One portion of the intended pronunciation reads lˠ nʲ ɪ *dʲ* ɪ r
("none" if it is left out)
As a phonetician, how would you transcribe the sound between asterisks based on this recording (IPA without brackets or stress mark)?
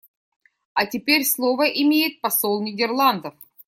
dʲ